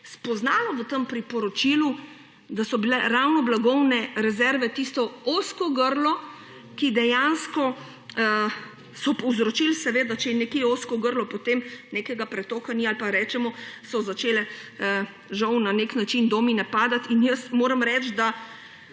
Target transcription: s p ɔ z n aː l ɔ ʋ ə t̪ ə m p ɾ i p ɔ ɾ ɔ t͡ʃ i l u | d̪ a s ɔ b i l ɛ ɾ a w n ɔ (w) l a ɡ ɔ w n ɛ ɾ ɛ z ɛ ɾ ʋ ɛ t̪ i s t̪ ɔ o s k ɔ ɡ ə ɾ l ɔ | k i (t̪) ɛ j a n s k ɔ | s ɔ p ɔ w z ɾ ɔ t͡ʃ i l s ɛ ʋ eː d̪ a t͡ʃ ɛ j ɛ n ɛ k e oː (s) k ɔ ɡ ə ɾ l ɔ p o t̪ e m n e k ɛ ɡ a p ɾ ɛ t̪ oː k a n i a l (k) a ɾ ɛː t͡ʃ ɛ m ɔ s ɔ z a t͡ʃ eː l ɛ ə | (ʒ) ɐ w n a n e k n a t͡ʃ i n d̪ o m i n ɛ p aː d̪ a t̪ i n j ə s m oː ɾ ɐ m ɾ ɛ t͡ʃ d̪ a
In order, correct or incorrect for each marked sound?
incorrect: b, incorrect: d̪, correct, incorrect: p, correct

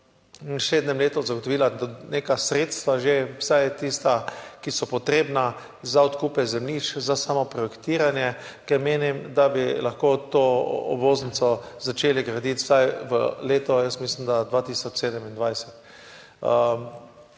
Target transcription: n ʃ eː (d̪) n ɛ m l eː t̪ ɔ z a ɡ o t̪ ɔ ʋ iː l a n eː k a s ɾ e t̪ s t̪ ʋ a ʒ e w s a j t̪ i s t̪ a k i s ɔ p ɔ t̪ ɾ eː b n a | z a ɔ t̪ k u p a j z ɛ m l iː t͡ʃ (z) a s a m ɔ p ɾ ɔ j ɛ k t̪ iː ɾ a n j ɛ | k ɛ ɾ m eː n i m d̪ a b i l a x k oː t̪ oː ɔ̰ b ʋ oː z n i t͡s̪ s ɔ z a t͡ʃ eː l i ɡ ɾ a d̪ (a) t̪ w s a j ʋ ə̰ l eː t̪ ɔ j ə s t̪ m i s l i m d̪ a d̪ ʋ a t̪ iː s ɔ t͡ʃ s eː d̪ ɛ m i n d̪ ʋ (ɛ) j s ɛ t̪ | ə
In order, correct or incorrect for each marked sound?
correct, correct, incorrect: i, incorrect: a

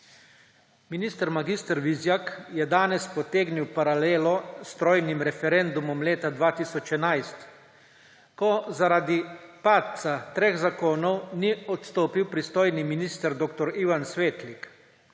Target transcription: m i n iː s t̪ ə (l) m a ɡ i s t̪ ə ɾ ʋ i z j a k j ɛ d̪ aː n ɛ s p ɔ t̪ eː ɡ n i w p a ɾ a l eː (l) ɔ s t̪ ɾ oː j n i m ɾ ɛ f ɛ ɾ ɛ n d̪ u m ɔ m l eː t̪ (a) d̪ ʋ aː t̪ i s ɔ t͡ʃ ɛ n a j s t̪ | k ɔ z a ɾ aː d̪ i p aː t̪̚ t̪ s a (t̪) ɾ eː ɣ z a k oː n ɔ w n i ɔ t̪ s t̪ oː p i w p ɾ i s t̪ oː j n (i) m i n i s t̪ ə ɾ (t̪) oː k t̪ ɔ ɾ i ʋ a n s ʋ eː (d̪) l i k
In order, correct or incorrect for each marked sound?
incorrect: ɾ, correct, correct, correct, correct, incorrect: d̪, incorrect: t̪

